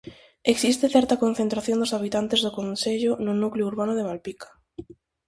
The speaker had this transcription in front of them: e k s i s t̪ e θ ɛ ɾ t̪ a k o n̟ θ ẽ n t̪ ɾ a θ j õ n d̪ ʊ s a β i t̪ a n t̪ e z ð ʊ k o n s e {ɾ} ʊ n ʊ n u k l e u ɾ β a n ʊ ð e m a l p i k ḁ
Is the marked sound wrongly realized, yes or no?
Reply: yes